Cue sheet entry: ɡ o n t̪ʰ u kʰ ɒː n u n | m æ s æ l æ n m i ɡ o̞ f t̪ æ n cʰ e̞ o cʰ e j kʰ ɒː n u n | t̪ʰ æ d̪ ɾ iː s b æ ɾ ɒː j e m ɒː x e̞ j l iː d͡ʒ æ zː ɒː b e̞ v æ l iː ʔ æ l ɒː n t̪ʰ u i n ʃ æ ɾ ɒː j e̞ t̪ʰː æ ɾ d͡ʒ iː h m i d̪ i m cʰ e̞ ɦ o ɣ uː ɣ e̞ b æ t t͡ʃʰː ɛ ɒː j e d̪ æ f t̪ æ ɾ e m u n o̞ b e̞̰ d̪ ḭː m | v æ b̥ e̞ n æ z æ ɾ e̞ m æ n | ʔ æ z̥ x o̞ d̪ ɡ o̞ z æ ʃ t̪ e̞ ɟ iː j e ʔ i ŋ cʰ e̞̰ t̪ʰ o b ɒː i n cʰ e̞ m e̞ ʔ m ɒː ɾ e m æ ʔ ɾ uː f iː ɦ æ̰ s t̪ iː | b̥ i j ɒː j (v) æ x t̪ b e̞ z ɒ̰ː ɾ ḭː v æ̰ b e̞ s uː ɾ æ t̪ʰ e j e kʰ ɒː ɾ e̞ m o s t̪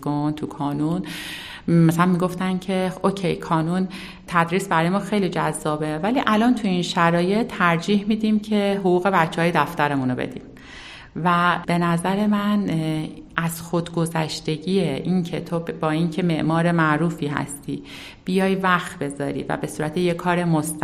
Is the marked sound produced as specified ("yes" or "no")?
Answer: yes